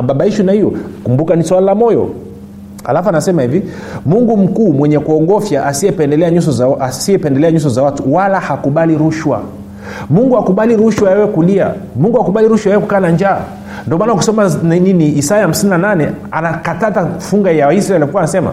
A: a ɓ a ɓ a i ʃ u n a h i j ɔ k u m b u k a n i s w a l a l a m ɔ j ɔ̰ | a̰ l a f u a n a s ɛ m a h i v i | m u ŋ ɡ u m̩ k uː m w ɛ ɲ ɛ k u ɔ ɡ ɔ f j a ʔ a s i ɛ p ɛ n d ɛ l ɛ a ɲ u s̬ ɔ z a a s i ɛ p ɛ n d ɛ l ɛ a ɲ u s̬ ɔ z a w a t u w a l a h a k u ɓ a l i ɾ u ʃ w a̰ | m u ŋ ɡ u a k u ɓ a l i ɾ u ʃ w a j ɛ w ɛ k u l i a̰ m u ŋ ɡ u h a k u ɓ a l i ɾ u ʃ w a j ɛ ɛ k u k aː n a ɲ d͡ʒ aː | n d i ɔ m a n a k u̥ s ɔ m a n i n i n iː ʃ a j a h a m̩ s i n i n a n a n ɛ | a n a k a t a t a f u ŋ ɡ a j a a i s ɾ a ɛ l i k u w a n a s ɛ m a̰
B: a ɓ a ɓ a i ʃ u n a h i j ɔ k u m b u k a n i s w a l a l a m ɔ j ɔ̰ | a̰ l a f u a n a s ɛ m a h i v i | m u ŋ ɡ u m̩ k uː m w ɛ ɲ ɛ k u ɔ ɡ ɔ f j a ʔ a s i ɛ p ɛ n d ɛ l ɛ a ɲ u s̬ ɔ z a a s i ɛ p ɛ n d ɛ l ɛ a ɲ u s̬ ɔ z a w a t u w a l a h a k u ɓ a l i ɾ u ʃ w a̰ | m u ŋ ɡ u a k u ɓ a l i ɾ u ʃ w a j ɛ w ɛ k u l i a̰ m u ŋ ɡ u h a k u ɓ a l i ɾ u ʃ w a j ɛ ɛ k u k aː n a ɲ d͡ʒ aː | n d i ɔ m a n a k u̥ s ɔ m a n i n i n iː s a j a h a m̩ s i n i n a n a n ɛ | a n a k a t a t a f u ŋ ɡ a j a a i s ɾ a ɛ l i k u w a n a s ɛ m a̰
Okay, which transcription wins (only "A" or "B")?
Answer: B